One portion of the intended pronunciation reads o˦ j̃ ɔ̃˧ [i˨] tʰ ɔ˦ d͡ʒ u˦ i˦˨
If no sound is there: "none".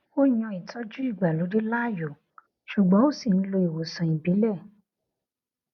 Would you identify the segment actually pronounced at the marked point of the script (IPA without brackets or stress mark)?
i˨